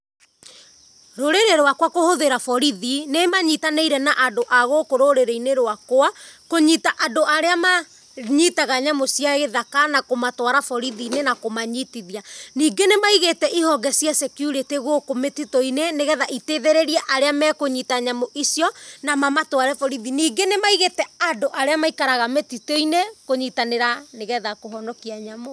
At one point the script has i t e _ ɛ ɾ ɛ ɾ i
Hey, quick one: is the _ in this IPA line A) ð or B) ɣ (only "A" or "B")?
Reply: A